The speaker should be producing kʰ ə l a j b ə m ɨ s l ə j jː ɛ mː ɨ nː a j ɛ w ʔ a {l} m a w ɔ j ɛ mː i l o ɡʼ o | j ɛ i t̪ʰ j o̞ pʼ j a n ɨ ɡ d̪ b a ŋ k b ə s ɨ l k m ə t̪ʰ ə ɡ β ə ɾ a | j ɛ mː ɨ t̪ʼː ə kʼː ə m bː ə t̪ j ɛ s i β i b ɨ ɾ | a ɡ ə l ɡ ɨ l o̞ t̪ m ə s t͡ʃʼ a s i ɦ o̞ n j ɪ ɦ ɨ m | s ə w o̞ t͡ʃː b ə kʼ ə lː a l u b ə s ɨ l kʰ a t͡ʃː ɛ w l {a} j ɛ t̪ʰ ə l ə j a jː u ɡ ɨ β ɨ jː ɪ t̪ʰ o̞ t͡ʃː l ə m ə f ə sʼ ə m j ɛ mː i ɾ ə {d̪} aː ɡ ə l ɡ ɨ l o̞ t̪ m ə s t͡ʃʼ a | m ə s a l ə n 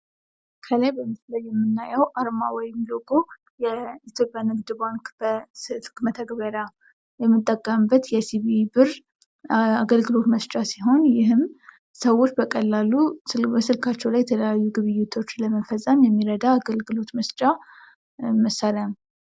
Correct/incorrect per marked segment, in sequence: incorrect, correct, correct

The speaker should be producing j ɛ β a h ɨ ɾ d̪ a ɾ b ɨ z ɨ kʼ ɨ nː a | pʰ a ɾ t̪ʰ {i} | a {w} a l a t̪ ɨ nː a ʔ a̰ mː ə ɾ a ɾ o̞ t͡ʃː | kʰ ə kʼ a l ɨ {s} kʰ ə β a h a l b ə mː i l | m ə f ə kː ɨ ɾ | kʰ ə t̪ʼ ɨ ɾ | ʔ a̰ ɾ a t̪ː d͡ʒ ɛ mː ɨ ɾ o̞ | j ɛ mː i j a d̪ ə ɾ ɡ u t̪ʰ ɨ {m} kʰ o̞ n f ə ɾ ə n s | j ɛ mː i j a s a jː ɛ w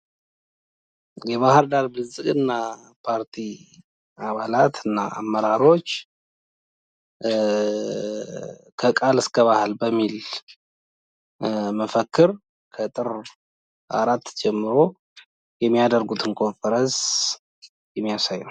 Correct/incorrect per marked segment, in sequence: correct, incorrect, correct, incorrect

